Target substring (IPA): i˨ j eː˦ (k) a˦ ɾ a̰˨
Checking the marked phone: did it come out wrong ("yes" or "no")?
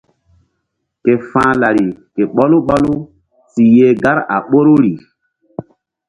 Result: yes